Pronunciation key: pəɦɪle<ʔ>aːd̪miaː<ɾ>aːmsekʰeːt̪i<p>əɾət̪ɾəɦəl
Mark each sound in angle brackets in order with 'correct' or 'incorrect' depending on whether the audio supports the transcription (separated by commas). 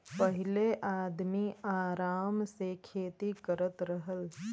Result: correct, correct, incorrect